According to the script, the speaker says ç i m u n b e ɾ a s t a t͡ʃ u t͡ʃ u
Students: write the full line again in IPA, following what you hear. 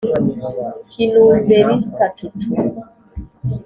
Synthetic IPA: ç i n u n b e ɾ i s k a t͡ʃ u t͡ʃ u